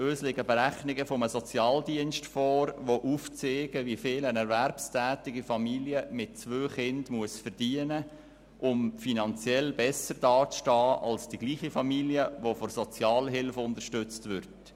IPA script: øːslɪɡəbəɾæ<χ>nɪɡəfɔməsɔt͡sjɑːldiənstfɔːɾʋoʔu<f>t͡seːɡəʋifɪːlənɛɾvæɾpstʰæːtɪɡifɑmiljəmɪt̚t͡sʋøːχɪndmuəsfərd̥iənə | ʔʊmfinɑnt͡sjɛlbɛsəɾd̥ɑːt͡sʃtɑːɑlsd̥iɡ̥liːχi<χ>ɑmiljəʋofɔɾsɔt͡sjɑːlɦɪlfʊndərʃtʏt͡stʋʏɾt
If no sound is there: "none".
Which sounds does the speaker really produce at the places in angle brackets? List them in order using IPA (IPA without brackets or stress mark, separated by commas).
χ, f, f